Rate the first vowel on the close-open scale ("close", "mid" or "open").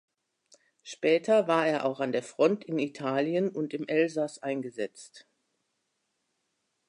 mid